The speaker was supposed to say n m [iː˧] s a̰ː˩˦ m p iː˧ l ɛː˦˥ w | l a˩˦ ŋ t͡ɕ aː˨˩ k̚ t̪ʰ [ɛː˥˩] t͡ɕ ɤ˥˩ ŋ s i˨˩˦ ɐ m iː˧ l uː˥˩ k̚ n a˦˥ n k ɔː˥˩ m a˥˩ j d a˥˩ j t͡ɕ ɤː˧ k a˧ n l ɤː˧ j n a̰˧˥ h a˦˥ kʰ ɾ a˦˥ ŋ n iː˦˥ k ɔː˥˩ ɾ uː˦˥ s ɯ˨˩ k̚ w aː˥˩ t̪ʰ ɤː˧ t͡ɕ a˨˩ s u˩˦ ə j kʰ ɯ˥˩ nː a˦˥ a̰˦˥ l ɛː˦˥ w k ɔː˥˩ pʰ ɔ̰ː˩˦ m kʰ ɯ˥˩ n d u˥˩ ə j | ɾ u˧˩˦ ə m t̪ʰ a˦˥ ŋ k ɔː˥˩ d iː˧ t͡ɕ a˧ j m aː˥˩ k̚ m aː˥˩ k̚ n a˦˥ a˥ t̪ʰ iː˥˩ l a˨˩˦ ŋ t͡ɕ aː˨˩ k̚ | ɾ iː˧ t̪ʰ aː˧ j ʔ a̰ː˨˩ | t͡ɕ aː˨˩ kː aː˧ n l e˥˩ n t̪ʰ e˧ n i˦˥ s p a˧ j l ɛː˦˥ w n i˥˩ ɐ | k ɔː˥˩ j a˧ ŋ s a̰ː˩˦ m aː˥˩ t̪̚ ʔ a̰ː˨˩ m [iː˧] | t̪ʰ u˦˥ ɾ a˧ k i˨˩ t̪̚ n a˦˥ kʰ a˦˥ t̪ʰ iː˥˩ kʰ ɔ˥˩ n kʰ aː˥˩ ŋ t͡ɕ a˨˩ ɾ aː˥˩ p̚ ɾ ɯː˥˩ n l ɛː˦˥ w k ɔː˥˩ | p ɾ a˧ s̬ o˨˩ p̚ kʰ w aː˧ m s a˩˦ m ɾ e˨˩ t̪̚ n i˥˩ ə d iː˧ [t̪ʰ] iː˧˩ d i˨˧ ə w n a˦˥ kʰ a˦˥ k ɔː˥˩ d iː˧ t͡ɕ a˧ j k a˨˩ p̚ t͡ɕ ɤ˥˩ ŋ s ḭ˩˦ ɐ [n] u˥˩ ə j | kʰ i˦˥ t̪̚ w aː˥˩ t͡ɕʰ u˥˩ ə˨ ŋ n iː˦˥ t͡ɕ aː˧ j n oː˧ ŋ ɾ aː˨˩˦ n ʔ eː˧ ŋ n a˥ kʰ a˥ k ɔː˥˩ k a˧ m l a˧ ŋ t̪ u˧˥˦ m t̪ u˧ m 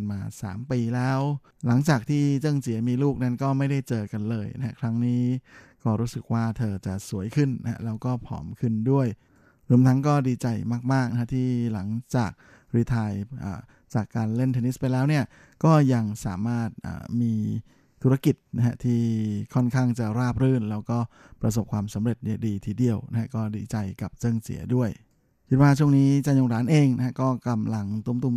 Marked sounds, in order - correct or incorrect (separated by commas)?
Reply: incorrect, incorrect, correct, correct, incorrect